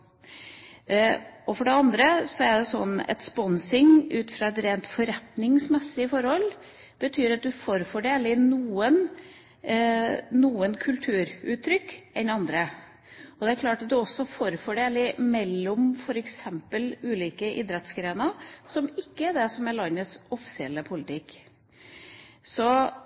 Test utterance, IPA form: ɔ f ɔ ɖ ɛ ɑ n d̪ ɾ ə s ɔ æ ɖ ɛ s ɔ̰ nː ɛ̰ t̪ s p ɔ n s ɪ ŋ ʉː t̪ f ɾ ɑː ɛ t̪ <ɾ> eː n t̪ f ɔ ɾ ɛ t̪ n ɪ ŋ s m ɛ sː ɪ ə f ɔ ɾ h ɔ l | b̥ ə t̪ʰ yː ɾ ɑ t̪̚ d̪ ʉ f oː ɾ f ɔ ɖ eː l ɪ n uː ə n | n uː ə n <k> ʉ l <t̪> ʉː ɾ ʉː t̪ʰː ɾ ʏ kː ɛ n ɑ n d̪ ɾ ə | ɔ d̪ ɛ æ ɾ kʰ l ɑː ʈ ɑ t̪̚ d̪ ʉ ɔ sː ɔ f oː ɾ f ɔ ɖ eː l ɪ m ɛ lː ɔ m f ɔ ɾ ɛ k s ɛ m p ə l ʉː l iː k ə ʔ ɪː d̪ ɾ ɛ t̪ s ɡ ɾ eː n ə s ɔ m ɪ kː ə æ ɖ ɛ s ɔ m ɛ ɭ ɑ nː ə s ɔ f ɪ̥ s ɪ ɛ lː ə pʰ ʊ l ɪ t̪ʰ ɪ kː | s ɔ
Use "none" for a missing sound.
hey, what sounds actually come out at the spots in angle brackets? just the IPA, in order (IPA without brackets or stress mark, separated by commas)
ɾ, kʰ, t̪ʰ